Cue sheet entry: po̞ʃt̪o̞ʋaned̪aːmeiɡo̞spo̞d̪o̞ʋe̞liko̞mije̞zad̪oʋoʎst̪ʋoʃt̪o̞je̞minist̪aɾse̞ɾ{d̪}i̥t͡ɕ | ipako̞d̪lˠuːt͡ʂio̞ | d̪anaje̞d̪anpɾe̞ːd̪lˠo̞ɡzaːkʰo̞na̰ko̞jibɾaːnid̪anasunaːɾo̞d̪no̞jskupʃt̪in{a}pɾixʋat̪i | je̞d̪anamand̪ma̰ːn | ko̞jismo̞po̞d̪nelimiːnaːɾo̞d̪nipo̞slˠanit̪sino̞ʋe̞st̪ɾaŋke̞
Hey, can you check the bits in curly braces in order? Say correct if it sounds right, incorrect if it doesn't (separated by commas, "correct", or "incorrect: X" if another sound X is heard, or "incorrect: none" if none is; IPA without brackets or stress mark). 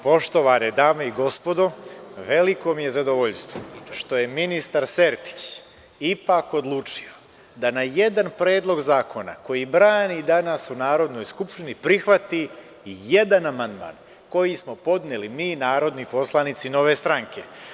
incorrect: t̪, incorrect: i